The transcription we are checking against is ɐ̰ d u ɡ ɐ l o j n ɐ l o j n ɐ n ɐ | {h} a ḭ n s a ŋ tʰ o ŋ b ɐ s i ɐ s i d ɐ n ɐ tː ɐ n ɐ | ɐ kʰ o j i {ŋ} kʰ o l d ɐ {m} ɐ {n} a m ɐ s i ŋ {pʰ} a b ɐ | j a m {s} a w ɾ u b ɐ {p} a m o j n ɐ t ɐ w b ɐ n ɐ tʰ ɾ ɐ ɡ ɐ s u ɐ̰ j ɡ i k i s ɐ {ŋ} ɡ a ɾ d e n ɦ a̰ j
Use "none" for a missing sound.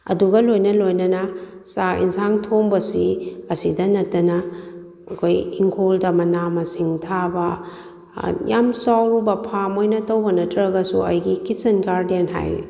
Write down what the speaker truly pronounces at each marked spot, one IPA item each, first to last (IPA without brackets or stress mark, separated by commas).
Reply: s, ŋ, m, n, tʰ, s, pʰ, n